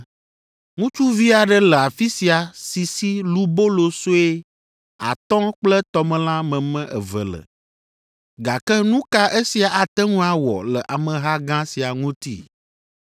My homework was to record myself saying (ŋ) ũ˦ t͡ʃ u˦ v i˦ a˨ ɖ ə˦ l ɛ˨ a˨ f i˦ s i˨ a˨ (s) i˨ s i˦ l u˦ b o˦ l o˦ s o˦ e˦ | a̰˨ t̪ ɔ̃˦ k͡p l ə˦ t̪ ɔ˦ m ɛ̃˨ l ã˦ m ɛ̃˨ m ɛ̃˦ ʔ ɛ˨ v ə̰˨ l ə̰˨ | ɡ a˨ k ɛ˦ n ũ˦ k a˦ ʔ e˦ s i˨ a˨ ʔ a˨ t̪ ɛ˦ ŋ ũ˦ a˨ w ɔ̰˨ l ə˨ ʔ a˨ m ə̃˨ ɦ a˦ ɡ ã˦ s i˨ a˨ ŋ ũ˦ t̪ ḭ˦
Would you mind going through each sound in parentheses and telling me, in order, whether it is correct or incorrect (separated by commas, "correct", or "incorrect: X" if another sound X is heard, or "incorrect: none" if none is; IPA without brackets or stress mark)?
correct, correct